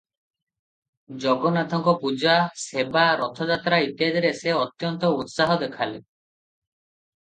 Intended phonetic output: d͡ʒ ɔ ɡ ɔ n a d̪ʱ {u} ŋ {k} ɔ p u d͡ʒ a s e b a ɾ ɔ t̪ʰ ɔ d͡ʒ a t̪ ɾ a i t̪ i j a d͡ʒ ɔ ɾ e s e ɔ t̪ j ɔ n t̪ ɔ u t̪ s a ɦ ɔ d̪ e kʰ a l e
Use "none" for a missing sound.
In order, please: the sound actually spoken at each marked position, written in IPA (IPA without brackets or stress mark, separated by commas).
ɔ, k